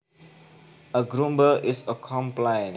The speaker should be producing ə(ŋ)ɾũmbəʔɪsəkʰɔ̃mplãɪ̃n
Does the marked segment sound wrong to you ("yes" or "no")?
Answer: yes